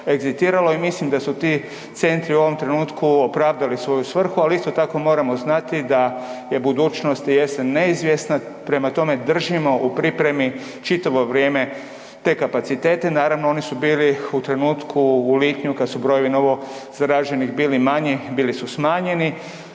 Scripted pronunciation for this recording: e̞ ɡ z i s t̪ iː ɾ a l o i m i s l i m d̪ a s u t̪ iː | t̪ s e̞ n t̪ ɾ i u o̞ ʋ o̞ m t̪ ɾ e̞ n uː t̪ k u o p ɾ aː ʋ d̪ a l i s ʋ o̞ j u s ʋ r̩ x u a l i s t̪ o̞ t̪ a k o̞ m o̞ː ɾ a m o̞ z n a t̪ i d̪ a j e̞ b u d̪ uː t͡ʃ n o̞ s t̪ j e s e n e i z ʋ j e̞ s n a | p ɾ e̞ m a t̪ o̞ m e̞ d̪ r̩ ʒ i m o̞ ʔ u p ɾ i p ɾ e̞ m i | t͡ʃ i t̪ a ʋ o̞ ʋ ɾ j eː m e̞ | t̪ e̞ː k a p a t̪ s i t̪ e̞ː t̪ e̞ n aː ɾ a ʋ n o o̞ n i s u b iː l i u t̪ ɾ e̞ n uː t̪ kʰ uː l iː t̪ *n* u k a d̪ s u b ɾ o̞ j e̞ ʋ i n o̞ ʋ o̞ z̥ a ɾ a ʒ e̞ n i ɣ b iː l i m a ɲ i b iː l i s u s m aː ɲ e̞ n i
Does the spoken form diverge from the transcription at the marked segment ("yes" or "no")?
yes